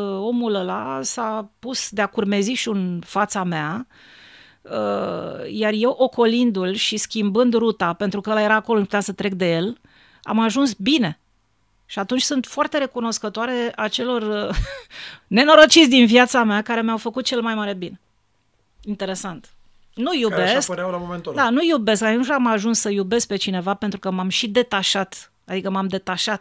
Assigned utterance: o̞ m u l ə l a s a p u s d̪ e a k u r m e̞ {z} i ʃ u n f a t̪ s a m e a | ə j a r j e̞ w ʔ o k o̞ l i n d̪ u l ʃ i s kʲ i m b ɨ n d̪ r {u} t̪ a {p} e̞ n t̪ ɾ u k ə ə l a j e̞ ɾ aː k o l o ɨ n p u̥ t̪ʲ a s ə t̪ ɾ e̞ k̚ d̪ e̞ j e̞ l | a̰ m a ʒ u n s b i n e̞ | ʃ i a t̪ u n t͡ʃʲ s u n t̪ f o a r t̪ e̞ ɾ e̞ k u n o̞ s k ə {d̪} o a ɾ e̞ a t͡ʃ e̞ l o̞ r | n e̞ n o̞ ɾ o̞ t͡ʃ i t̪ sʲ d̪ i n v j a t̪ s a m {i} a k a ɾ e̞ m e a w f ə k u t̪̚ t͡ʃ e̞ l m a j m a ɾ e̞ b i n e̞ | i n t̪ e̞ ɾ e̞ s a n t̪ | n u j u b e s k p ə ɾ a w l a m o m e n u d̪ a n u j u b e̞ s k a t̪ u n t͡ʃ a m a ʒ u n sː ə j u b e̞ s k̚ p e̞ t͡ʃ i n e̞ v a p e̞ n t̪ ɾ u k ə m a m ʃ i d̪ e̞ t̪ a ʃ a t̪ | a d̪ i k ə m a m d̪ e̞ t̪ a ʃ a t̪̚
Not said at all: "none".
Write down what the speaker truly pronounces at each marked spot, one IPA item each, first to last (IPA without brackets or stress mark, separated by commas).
z, u, p, t̪, e